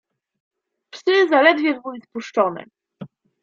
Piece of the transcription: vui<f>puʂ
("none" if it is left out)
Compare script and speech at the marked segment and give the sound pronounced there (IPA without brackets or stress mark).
s